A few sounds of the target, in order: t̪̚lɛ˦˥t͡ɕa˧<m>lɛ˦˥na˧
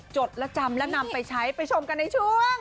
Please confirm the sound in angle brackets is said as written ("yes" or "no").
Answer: yes